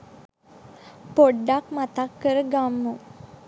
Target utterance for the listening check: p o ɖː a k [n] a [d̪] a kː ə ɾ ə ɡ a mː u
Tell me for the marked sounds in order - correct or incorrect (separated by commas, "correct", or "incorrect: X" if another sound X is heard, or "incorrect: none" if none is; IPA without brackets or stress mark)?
incorrect: m, incorrect: t̪